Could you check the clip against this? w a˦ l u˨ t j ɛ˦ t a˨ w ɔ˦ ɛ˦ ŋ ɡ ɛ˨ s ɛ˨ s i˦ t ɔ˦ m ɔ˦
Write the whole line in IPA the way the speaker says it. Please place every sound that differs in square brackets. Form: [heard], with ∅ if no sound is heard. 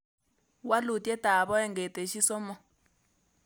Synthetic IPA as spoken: w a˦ l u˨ t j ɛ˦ t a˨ [β] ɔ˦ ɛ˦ ŋ ɡ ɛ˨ [t] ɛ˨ [ʃ] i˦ [s] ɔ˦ m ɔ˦

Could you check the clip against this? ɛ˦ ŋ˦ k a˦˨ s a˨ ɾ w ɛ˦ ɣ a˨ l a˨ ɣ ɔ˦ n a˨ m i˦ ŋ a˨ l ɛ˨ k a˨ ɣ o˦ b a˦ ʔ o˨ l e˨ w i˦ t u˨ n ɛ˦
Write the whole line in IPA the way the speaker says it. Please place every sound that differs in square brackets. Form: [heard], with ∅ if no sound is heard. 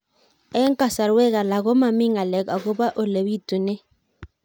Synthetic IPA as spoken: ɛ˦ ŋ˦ k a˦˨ s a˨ ɾ w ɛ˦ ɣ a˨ l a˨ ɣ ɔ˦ [m] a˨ m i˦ ŋ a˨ l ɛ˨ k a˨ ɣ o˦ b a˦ ʔ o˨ l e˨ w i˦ t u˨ n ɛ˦

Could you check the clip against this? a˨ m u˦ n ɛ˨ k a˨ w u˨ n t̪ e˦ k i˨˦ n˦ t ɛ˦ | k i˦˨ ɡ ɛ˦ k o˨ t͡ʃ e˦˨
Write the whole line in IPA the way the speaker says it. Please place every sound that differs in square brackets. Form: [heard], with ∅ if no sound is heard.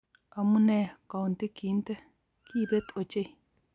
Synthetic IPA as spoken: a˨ m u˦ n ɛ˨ k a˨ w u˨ n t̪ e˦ k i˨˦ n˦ t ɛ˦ | k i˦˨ [b] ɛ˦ [t] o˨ t͡ʃ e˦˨

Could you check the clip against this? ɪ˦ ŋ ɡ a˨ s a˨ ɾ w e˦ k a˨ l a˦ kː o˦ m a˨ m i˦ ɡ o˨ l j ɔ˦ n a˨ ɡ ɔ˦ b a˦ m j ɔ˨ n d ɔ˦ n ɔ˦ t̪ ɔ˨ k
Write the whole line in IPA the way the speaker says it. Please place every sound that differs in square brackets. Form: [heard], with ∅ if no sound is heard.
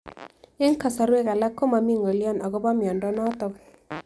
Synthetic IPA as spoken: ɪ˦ ŋ [k] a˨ s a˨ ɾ w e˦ k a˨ l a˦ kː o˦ m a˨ m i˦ [ŋ] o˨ l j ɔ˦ n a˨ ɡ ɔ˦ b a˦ m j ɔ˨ n d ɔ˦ n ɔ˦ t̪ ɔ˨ k

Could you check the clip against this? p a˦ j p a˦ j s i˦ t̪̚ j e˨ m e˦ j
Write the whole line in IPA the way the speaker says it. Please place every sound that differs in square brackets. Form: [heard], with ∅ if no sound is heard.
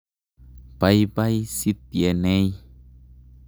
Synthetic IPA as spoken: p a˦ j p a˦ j s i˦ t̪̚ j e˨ [n] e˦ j

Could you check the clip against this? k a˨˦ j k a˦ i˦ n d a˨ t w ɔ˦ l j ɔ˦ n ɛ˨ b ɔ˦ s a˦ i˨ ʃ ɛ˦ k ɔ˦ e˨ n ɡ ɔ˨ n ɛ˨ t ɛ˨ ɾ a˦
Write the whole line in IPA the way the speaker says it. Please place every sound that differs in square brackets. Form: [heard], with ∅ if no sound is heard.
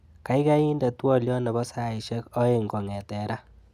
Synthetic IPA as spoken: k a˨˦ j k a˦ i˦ n d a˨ t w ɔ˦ l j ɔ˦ n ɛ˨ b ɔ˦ s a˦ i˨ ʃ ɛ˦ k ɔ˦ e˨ [ŋ] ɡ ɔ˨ [ŋ] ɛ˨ t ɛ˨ ɾ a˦

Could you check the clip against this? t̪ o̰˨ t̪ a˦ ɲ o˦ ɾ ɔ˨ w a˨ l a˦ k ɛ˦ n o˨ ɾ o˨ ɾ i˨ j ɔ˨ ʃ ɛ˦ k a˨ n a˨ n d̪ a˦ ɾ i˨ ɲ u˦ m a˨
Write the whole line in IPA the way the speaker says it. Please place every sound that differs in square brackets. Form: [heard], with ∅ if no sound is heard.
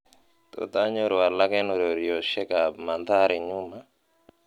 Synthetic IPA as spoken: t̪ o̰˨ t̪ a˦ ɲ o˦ ɾ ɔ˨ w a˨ l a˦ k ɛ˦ n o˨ ɾ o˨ ɾ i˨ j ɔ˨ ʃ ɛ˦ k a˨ [m] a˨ n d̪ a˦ ɾ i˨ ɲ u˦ m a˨

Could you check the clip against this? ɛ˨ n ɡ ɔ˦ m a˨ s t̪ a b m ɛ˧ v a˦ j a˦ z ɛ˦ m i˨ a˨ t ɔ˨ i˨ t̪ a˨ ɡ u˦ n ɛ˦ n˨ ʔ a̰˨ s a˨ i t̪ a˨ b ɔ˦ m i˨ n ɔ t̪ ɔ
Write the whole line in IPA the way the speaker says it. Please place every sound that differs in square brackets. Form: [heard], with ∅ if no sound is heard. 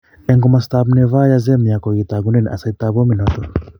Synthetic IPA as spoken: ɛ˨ [ŋ] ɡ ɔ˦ m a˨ s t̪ a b [n] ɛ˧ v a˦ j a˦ z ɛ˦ m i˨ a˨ [k] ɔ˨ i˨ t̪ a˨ ɡ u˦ n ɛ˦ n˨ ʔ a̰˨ s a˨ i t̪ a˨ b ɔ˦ m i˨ n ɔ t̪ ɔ

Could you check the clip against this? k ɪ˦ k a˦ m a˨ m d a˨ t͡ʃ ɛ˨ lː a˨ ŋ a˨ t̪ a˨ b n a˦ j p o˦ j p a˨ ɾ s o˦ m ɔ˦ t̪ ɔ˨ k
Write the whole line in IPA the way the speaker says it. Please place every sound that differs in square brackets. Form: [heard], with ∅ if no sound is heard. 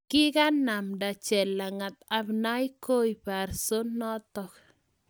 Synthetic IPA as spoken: k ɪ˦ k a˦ [n] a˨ m d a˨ t͡ʃ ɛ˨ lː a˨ ŋ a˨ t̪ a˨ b n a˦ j [k] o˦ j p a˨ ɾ s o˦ [n] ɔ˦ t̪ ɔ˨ k

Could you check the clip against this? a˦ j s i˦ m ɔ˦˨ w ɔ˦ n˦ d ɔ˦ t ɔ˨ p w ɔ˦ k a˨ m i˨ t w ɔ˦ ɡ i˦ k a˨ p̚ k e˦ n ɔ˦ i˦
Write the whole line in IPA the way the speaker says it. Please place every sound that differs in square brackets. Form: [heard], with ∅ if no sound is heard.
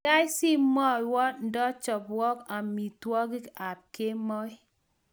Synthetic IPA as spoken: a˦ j s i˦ m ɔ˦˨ w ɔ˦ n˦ d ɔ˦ [t͡ʃ] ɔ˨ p w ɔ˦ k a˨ m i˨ t w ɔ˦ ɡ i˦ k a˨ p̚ k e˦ [m] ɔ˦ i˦

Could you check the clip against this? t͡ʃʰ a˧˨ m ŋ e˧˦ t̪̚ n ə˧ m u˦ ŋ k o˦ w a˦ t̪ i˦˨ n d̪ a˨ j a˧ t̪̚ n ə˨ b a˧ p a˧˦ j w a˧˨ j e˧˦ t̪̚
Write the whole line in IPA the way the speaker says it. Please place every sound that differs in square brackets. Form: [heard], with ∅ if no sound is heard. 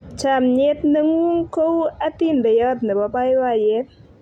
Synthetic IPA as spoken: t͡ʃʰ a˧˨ m [ɲ] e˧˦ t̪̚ n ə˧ [ŋ] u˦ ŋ k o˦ w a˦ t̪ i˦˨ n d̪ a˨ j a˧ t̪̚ n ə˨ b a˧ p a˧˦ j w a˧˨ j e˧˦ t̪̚

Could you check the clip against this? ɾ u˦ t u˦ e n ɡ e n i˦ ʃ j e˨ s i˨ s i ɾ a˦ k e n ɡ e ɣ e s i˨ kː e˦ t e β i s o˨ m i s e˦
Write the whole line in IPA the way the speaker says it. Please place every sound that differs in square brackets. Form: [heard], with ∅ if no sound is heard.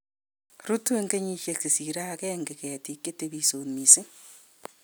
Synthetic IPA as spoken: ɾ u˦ t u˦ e [ŋ] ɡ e [ɲ] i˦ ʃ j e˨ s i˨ s i ɾ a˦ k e [ŋ] ɡ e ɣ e [t] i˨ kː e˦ t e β i s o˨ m i s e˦

